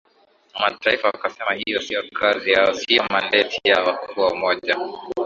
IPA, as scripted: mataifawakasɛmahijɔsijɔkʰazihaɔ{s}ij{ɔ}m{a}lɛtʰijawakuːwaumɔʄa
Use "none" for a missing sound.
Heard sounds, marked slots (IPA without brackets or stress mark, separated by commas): s, ɔ, a